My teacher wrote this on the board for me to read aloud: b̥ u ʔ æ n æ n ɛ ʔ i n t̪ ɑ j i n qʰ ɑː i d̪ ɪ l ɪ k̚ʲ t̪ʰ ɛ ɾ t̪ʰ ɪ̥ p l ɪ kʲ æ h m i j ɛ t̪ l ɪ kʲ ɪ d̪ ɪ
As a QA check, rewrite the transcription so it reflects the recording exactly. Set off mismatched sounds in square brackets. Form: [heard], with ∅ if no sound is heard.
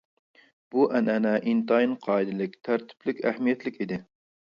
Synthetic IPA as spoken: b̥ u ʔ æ n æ n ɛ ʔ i n t̪ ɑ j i n qʰ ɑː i d̪ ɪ l ɪ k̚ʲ t̪ʰ [æ] ɾ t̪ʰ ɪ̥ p l ɪ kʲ æ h m i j ɛ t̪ l ɪ kʲ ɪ d̪ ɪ